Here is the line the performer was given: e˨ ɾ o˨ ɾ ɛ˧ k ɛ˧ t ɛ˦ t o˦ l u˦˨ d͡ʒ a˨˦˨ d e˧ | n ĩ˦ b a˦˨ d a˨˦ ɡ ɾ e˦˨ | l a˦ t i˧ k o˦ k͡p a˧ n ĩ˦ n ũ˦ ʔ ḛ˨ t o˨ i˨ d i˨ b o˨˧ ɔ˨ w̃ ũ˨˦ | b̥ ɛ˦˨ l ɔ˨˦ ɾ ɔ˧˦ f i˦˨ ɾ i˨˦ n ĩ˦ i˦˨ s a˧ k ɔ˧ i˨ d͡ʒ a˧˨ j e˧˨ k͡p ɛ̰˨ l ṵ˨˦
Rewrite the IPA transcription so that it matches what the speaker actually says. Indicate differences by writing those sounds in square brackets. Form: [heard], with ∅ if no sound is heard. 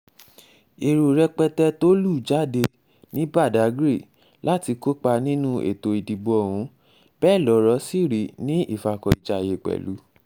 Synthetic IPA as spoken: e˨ ɾ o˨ ɾ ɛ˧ [k͡p] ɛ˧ t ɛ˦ t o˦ l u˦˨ d͡ʒ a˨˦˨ d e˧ | n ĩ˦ b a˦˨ d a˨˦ ɡ ɾ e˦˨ | l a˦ t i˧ k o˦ k͡p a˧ n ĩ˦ n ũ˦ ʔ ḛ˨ t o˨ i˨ d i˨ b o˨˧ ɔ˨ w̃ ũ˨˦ | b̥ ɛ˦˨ l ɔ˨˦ ɾ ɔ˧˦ [s] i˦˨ ɾ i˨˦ n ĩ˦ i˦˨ [f] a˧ k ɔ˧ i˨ d͡ʒ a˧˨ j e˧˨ k͡p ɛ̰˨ l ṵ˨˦